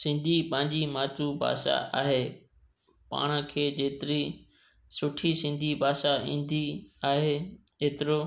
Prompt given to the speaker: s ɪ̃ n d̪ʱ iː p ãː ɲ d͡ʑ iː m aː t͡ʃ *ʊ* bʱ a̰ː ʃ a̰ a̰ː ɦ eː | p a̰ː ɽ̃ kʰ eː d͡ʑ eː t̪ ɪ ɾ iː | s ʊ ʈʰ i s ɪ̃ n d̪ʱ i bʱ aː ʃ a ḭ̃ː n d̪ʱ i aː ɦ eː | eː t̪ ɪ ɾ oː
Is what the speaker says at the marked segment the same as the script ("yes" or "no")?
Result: no